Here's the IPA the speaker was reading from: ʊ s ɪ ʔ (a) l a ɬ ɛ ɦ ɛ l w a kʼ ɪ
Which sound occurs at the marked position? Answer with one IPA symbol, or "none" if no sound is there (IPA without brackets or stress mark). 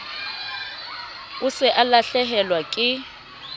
a